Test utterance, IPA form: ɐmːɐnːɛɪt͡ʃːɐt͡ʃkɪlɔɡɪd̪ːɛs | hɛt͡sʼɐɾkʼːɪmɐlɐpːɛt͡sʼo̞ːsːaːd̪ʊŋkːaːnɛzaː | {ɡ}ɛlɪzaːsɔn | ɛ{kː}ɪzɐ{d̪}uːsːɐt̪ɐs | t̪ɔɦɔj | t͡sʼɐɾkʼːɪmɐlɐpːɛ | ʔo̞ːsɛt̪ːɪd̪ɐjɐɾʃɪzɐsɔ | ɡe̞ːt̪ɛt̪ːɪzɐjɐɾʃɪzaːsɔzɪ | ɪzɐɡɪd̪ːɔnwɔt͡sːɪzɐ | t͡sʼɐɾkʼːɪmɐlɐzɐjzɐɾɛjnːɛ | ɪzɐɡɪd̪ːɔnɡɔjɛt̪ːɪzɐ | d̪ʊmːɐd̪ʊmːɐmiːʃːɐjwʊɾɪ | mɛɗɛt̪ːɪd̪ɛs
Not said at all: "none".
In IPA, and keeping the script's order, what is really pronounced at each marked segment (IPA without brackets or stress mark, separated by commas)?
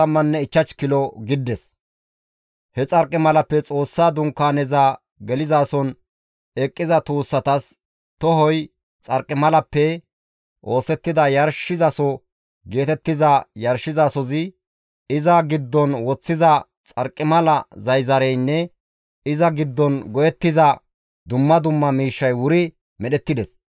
ɡ, kʼː, t̪